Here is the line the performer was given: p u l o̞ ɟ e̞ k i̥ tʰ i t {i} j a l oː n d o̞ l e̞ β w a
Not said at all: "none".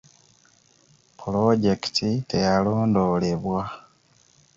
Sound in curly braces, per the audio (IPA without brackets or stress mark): e